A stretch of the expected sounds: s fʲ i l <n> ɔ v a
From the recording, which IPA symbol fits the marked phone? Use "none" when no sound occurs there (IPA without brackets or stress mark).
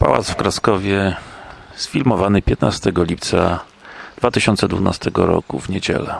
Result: m